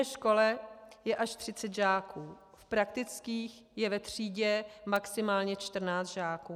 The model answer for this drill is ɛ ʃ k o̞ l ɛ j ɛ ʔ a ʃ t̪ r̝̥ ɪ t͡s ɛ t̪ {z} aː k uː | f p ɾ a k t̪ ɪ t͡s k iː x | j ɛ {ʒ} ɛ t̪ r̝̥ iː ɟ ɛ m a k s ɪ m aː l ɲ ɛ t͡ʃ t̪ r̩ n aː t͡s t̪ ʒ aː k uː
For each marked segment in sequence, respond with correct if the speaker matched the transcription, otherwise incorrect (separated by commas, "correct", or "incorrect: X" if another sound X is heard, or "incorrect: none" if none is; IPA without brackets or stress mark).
incorrect: ʒ, incorrect: v